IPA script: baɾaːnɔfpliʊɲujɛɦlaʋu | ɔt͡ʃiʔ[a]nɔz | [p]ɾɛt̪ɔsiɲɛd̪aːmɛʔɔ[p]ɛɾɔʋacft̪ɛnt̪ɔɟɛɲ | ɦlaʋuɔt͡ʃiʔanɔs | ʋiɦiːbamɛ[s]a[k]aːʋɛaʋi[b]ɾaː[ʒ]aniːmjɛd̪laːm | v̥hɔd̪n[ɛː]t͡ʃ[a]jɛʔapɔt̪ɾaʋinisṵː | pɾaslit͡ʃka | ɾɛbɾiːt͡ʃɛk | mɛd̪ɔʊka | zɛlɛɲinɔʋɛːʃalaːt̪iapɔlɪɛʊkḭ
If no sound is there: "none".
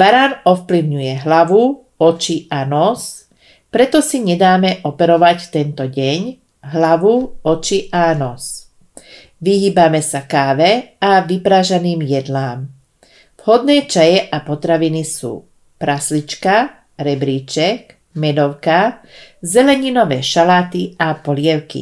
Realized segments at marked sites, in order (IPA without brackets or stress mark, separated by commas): a, p, p, s, k, p, ʒ, ɛː, a